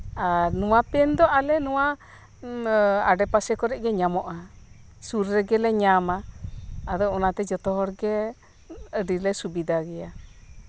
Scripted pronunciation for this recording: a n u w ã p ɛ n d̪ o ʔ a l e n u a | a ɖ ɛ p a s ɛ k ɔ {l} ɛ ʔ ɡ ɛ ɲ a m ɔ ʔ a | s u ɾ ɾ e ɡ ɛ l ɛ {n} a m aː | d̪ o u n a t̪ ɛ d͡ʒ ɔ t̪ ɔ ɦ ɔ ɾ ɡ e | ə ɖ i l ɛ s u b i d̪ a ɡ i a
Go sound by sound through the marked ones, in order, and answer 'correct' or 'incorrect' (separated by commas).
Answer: incorrect, incorrect